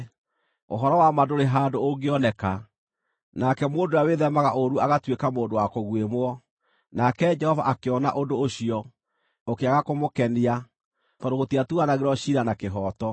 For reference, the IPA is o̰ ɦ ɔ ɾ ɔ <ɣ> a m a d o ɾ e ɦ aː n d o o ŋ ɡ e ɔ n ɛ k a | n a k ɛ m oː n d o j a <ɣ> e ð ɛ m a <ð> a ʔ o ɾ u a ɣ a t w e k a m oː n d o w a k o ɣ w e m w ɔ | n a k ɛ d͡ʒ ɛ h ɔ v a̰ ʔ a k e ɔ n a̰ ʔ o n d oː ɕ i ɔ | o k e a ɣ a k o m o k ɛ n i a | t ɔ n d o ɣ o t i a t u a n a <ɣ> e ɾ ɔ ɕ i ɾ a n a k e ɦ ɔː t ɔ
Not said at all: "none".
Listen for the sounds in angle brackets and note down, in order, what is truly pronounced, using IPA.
w, w, ɣ, ɣ

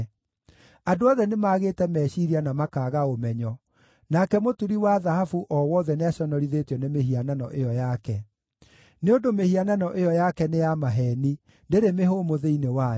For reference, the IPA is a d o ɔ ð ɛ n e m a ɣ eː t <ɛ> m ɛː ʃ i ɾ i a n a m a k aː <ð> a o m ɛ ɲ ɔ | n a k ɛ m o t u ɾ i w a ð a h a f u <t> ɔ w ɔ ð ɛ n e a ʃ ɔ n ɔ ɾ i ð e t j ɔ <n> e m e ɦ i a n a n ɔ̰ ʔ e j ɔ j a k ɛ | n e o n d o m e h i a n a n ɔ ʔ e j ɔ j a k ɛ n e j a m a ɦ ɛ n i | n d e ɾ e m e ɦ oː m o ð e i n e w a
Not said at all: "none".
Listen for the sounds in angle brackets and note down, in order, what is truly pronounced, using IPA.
ɛ, ɣ, ʔ, n

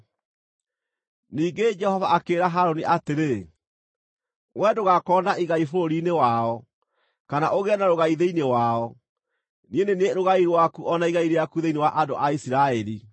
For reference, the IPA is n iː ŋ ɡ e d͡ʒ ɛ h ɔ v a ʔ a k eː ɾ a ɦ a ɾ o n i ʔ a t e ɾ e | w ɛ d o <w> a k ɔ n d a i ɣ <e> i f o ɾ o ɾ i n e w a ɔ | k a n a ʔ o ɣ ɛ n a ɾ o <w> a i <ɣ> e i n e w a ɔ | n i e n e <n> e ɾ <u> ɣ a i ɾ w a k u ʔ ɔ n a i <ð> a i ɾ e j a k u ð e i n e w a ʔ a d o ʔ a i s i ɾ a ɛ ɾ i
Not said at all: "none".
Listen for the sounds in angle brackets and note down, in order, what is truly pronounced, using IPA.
ɣ, a, ɣ, ð, n, o, ɣ

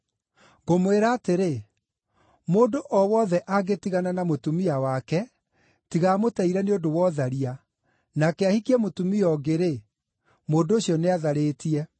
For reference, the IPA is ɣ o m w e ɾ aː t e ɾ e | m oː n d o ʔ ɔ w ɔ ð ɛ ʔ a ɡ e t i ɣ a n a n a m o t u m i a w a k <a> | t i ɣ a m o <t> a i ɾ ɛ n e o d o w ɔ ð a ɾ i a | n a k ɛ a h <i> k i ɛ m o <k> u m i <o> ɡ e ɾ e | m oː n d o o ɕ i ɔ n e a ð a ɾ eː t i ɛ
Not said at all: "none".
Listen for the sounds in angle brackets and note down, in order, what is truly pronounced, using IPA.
ɛ, t, i, t, ɔ

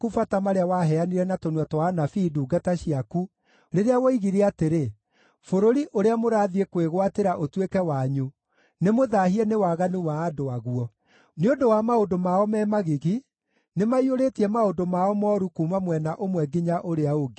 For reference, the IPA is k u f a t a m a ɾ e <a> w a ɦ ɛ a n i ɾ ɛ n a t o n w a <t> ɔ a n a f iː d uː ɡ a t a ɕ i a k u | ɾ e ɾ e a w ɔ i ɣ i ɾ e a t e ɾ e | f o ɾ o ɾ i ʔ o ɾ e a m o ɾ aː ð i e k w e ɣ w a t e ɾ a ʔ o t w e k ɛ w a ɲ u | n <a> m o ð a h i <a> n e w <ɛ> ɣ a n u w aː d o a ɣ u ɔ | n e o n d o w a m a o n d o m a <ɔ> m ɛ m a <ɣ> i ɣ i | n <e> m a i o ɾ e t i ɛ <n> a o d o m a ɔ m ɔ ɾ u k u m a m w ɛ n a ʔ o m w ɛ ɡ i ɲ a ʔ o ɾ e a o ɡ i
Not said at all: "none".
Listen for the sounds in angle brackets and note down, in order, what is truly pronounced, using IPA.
a, t, e, ɛ, a, ɔ, ɣ, e, m

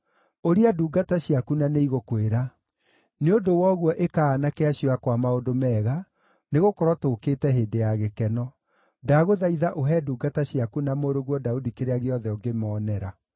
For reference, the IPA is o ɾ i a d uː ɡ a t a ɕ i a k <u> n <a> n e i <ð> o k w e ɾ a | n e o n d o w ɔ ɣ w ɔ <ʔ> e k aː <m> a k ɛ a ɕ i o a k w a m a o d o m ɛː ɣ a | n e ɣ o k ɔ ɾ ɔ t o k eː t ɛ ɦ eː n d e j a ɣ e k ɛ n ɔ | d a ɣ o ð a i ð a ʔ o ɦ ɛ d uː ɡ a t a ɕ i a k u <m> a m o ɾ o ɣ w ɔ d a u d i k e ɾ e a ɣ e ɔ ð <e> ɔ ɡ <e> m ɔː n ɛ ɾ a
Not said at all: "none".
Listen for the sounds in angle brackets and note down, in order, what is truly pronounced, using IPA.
u, a, ɣ, ʔ, n, n, ɛ, e

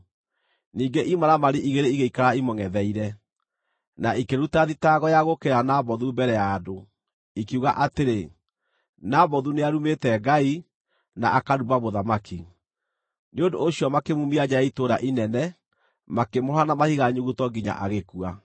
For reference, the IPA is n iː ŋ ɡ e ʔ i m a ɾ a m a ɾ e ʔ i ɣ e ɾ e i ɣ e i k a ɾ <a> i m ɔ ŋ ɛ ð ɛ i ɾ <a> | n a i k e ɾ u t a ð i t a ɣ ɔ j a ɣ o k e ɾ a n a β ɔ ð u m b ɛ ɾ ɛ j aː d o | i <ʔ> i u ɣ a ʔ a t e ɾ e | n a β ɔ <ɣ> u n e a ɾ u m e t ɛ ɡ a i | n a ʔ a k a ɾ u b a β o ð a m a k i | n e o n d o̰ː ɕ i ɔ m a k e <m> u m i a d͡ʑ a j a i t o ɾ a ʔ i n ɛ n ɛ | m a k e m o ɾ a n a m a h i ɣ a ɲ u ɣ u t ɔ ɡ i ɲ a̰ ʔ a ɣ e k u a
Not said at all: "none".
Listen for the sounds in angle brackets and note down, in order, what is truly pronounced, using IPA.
a, ɛ, k, ð, m

